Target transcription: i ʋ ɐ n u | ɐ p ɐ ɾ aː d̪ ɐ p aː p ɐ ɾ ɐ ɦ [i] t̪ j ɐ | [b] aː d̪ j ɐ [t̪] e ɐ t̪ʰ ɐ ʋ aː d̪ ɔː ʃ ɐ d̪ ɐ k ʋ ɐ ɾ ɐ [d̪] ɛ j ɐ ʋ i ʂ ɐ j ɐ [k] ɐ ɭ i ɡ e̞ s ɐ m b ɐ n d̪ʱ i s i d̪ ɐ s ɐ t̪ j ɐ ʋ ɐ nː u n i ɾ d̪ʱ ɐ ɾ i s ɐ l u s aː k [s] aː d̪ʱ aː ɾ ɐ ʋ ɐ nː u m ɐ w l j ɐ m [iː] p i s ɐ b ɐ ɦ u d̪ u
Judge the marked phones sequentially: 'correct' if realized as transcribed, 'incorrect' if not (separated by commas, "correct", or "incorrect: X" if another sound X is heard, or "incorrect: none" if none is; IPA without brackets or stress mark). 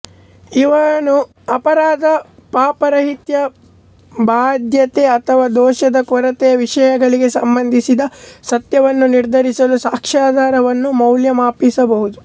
correct, correct, correct, incorrect: t̪, incorrect: ɡ, incorrect: ʂ, incorrect: aː